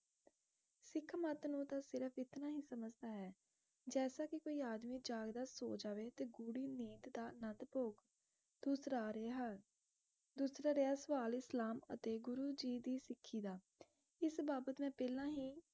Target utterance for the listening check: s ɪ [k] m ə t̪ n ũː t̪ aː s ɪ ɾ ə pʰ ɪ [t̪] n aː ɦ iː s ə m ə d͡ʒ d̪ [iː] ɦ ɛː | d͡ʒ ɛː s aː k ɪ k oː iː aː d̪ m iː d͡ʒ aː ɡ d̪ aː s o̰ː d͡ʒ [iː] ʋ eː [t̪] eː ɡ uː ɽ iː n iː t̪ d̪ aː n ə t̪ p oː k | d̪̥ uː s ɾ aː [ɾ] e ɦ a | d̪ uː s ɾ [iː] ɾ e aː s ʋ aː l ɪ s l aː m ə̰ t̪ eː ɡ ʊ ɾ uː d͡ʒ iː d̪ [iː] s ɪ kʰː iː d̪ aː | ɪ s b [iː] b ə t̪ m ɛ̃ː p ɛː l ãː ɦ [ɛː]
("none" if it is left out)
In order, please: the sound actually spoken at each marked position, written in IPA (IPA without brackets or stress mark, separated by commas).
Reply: kʰ, t̪, aː, aː, t̪, ɾ, aː, iː, aː, iː